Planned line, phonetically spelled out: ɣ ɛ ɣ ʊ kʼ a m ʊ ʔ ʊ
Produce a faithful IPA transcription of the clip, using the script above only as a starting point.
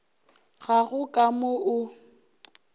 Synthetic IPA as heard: ɣ a ɣ ʊ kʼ a m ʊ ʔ ʊ